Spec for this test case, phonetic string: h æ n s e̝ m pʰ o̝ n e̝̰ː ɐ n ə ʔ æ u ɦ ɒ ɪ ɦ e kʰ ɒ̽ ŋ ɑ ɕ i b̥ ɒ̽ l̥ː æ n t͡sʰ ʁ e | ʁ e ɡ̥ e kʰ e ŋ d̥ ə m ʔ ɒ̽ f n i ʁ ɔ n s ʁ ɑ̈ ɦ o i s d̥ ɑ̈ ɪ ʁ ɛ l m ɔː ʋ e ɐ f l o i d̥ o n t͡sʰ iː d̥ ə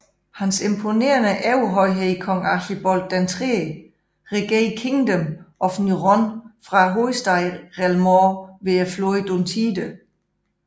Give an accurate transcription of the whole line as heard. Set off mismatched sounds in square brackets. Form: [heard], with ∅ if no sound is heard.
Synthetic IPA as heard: h æ n s e̝ m pʰ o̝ n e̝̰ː ɐ n ə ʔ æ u ɦ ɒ ɪ ɦ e kʰ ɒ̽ ŋ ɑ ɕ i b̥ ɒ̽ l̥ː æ n t͡sʰ ʁ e | ʁ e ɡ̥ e kʰ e ŋ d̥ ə m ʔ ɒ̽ f n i ʁ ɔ n [f] ʁ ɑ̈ ɦ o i s d̥ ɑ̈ ɪ ʁ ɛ l m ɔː ʋ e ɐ f l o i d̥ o n t͡sʰ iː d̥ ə